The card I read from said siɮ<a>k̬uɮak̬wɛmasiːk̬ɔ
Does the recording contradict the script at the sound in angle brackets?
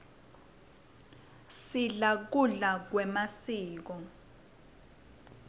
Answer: no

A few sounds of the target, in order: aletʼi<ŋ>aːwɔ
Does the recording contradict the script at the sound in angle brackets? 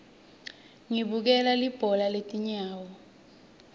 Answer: yes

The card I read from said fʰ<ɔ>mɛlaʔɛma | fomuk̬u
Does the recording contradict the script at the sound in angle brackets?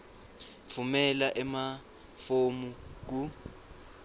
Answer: yes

